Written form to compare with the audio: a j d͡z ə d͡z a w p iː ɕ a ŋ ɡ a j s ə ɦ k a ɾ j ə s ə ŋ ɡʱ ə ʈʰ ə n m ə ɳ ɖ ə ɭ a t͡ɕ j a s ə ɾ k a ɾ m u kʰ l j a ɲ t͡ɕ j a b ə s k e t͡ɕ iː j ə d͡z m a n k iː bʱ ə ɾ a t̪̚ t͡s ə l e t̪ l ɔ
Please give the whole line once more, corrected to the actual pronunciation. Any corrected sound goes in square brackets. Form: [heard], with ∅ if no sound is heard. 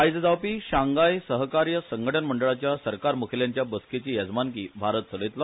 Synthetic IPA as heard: a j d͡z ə d͡z a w p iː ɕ a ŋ ɡ a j s ə ɦ k a ɾ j ə s ə ŋ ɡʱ ə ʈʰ ə n m ə ɳ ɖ ə ɭ a t͡ɕ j a s ə ɾ k a ɾ m u kʰ l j a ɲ t͡ɕ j a b ə s k e t͡ɕ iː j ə d͡z m a n k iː bʱ [a] ɾ [ə] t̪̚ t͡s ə l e t̪ l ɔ